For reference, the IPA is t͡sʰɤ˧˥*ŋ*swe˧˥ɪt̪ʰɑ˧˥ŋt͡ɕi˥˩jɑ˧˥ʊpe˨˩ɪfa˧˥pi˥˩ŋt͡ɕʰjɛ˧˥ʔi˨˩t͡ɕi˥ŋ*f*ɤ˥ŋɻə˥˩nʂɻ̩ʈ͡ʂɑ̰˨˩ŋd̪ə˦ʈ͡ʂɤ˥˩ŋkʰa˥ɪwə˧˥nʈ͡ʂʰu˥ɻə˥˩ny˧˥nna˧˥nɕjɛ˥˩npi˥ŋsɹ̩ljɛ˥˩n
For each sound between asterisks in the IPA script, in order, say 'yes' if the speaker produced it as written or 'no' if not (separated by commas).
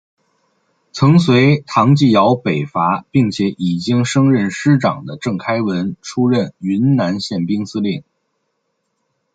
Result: yes, no